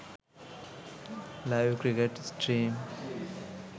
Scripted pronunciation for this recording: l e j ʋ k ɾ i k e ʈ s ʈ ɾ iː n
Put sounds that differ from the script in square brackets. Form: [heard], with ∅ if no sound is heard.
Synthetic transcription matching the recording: l [a] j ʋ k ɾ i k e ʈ s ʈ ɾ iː [m]